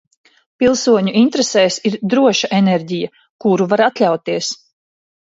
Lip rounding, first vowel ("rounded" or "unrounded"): unrounded